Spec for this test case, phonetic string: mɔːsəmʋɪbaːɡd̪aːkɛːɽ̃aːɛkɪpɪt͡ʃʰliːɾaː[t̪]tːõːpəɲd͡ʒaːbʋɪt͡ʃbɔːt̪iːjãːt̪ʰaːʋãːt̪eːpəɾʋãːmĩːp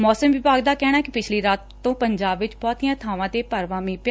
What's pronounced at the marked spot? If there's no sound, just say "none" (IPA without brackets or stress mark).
t̪